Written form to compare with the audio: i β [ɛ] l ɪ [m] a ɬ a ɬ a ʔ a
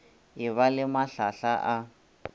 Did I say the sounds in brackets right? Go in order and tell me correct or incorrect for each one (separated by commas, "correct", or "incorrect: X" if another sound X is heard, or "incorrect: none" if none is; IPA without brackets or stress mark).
incorrect: a, correct